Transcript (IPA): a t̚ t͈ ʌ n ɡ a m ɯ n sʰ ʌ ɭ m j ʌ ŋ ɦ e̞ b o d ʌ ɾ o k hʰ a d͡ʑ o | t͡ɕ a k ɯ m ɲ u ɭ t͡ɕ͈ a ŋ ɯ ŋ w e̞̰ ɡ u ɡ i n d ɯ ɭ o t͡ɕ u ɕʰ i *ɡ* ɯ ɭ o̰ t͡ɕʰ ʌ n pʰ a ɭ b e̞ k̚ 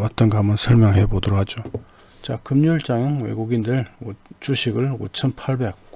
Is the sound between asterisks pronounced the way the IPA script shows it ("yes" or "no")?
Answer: yes